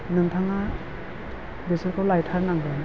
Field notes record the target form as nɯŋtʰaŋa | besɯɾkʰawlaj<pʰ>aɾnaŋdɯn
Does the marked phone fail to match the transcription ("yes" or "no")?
yes